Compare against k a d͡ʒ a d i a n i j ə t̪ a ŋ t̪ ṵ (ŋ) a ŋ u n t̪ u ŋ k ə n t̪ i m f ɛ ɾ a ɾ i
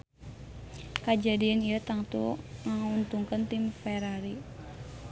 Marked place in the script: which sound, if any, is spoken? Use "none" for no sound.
ŋ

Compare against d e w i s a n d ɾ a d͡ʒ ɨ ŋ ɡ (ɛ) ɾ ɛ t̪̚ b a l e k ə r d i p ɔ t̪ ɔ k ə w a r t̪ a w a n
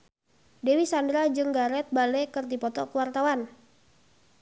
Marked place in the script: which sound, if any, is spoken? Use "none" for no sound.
a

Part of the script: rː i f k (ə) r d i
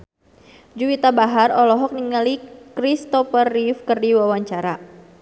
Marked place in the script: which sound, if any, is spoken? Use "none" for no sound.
ə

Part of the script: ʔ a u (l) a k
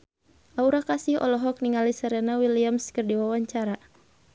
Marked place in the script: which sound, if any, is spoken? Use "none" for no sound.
ɾ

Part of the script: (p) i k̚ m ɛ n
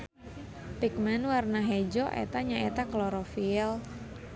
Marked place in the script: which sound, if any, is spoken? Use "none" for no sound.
p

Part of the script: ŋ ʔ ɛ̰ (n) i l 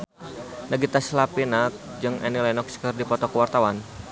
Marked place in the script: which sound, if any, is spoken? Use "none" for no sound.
n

